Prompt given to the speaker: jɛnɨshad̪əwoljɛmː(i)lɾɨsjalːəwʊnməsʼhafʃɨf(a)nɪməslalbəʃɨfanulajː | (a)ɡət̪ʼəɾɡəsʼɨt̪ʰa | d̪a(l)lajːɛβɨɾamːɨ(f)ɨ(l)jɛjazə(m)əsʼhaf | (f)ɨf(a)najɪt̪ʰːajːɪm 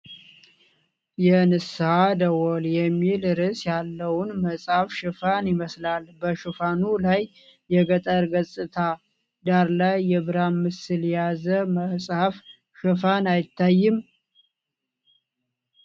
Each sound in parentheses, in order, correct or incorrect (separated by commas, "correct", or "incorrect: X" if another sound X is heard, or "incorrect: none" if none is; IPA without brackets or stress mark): correct, correct, incorrect: ɛ, incorrect: ɾ, incorrect: s, correct, correct, incorrect: ʃ, correct